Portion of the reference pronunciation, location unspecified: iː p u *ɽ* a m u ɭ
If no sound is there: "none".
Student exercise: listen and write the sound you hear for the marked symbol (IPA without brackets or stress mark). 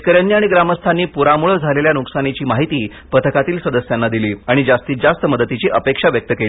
ɾ